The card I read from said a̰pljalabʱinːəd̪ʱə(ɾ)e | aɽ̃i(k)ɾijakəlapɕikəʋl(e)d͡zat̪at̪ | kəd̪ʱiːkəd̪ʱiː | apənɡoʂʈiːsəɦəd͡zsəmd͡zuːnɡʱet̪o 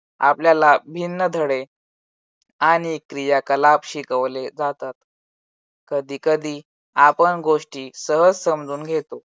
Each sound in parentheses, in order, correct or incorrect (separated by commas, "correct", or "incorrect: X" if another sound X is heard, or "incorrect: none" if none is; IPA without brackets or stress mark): incorrect: ɽ, correct, correct